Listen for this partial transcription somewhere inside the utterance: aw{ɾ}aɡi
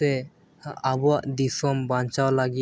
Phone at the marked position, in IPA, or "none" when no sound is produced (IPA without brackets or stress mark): l